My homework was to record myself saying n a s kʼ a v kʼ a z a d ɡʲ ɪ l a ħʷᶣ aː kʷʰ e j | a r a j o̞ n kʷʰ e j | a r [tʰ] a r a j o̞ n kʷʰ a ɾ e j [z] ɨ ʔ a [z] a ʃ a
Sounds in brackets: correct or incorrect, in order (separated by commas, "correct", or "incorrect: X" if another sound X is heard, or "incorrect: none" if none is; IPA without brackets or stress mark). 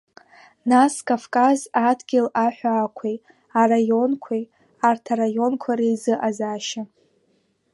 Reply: correct, correct, correct